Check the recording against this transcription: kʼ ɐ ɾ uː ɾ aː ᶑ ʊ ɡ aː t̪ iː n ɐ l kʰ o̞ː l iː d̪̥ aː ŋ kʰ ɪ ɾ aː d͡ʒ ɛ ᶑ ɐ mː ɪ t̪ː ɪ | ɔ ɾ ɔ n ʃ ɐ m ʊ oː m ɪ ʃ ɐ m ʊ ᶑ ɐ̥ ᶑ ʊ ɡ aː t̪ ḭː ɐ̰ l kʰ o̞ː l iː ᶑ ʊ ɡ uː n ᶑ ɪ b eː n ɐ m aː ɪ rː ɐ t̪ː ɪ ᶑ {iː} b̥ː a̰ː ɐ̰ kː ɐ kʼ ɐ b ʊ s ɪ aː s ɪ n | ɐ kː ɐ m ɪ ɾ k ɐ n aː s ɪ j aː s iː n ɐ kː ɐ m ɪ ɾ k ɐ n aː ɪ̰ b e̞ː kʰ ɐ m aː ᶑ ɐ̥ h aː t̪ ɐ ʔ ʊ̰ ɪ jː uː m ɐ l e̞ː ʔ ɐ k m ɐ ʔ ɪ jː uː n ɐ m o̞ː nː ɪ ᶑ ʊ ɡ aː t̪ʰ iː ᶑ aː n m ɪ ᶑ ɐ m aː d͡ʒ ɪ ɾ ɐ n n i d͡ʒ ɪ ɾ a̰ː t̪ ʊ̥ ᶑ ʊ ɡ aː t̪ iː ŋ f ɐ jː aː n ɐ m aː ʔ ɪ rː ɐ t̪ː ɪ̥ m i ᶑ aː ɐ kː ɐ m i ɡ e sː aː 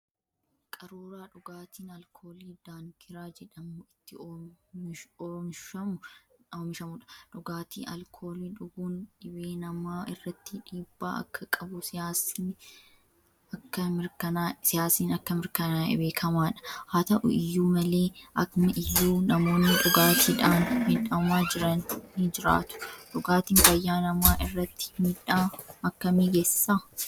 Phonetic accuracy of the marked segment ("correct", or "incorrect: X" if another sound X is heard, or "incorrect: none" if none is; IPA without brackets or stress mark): correct